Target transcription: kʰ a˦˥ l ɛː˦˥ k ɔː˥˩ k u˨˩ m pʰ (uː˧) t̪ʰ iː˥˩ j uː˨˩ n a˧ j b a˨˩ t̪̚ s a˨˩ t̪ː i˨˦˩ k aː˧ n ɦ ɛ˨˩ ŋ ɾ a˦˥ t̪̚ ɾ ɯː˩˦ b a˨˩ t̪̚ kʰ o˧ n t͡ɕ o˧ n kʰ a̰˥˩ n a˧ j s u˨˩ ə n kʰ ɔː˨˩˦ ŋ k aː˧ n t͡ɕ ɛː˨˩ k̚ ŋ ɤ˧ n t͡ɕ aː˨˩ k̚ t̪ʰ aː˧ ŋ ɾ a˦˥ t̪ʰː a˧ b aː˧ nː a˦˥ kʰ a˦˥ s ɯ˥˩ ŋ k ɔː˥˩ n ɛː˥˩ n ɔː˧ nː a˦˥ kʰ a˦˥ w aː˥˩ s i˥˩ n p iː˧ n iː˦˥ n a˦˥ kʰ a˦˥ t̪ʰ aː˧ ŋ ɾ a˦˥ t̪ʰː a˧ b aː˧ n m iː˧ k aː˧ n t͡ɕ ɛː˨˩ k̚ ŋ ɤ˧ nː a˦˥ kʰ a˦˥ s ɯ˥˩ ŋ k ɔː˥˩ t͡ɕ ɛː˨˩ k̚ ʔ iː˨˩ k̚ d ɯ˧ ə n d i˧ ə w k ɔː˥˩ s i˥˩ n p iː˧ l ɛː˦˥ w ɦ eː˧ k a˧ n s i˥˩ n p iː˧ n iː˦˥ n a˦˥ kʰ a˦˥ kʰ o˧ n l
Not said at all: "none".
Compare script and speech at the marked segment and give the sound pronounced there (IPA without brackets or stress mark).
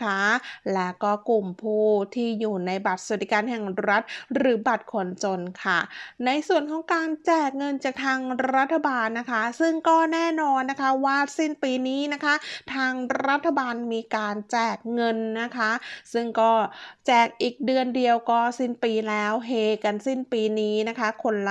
uː˥˩